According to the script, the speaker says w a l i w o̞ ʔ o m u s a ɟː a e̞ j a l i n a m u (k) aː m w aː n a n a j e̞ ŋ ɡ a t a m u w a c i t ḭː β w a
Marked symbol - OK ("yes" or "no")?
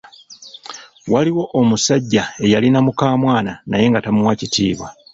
yes